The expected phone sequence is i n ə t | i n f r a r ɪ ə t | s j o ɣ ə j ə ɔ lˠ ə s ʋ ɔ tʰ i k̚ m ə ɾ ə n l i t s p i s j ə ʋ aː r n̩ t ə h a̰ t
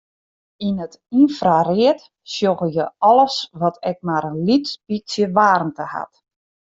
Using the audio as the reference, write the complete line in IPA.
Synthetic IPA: i n ə t | i n f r a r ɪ ə t | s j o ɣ ə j ə ɔ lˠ ə s ʋ ɔ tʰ ɛ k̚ m a ɾ ə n l i t s p i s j ə ʋ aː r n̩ t ə h a̰ t